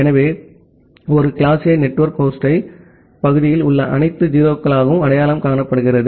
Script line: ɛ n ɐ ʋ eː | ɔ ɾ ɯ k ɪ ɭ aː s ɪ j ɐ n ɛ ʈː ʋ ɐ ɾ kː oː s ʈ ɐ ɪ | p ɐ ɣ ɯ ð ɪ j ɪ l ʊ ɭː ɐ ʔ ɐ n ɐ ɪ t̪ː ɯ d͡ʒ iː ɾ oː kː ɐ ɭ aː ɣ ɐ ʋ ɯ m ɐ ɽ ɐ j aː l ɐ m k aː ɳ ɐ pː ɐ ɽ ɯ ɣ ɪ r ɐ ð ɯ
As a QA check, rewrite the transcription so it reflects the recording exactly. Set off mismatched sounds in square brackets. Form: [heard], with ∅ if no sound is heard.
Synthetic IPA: ɛ n ɐ ʋ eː | ɔ ɾ ɯ k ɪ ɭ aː s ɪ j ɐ n ɛ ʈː ʋ ɐ ɾ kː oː s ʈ ɐ ɪ | p ɐ ɣ ɯ ð ɪ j ɪ l ʊ ɭː ɐ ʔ ɐ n ɐ ɪ t̪ː ɯ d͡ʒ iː ɾ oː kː ɐ ɭ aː ɣ ɐ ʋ ɯ m ɐ ɽ ɐ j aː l ɐ m k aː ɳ ɐ pː ɐ ɽ ɯ ɣ ɪ r ɐ ð ɯ